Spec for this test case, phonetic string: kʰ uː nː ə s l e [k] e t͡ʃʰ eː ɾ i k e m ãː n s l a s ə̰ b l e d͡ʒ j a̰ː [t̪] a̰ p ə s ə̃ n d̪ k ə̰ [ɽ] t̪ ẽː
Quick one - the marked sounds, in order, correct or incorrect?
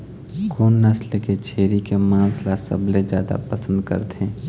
correct, incorrect: d̪, incorrect: ɾ

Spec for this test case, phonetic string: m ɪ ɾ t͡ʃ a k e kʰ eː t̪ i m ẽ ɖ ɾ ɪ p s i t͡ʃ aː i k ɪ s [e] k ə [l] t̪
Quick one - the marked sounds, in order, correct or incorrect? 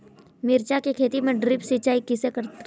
correct, incorrect: ɾ

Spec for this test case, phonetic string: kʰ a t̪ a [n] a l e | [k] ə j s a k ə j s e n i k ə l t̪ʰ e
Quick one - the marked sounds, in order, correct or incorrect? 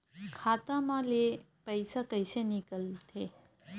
incorrect: m, incorrect: p

